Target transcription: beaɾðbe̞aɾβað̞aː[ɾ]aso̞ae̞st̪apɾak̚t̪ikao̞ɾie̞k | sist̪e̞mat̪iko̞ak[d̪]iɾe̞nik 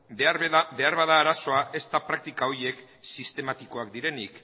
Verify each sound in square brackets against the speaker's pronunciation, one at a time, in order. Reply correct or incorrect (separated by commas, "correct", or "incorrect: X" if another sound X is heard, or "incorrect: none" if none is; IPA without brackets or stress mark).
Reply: correct, correct